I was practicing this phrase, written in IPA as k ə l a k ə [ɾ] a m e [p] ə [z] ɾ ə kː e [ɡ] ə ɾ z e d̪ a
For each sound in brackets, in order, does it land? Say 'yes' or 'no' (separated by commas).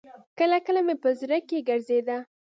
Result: no, yes, yes, yes